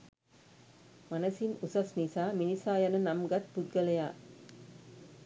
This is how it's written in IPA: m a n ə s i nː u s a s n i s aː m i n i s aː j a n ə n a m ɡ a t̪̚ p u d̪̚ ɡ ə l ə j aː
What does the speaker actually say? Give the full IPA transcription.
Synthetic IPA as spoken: m a n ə s i n u s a s n i s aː m i n i s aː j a n ə n a m ɡ a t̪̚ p u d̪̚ ɡ ə l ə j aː